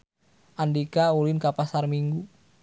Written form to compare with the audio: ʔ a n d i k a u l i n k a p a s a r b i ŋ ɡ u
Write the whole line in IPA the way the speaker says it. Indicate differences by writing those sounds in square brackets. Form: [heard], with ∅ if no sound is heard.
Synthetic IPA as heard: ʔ a n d i k a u l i n k a p a s a r [m] i ŋ ɡ u